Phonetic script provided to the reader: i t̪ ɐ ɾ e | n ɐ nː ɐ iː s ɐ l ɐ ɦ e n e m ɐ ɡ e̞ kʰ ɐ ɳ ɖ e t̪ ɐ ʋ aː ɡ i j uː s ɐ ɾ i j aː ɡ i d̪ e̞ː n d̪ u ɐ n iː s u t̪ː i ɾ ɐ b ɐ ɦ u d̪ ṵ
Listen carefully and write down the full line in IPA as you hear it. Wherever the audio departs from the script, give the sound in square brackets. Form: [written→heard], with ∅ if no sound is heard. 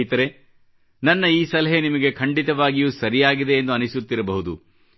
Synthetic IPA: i t̪ ɐ ɾ e | n ɐ nː ɐ iː s ɐ l ɐ ɦ e n [e→i] m ɐ ɡ e̞ kʰ ɐ ɳ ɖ [e→i] t̪ ɐ ʋ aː ɡ i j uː s ɐ ɾ i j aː ɡ i d̪ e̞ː n d̪ u ɐ n [iː→i] s u t̪ː i ɾ ɐ b ɐ ɦ u d̪ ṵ